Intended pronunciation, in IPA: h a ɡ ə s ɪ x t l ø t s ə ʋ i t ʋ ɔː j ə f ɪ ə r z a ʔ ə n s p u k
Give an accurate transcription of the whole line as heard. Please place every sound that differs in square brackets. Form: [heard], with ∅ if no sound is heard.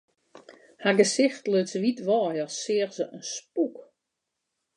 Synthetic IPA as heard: h a ɡ ə s ɪ x t l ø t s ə ʋ i t ʋ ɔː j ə [s] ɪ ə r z [ə] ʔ ə n s p u k